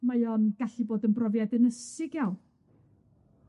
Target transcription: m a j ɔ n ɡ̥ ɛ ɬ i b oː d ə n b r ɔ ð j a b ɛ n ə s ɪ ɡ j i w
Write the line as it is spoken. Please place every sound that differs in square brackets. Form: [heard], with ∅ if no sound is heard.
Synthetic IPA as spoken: m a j ɔ n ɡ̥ [a] ɬ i b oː d ə n b r ɔ [v] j a [d] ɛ n ə s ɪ ɡ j [a] w